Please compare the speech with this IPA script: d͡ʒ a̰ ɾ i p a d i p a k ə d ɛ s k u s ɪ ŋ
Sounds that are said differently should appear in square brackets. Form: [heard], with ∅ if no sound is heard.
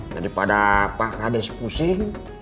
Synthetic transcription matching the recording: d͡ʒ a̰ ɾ i p a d [a] p a k [a] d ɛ s [p] u s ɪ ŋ